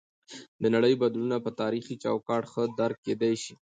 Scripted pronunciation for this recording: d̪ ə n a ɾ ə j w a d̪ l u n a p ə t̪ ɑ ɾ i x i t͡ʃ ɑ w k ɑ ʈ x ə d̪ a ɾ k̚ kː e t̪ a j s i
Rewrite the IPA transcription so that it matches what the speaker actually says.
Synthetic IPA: d̪ ə n a ɽ ə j b a d̪ l u n a p ə t̪ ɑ ɾ i x i t͡ʃ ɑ w k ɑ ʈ x ə d̪ a ɾ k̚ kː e d̪ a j ʃ i